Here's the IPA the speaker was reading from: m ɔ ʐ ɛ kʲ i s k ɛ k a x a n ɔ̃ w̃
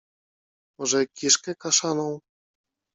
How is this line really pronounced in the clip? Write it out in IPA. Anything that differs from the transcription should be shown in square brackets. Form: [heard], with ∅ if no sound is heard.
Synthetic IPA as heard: m ɔ ʐ ɛ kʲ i [ʂ] k ɛ k a [ʂ] a n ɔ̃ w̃